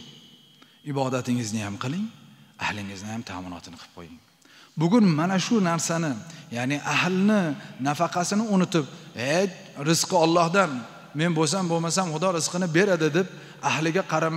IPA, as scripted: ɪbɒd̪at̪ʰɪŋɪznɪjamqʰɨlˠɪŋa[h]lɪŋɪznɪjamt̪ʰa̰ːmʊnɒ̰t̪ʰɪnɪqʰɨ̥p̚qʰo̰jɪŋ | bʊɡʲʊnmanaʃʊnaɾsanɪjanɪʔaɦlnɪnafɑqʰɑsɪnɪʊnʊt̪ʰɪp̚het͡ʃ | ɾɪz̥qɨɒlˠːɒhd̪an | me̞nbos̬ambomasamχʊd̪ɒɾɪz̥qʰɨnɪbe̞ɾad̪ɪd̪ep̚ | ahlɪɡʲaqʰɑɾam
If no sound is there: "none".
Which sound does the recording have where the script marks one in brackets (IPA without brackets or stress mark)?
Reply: h